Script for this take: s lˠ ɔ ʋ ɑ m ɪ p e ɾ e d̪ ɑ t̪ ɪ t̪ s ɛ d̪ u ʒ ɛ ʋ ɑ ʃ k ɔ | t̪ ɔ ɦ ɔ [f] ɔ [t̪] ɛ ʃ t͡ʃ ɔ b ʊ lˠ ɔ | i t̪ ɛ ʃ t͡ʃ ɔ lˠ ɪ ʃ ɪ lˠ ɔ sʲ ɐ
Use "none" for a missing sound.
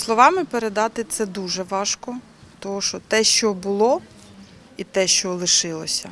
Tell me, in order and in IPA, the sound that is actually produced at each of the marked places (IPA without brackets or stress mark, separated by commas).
ʃ, t̪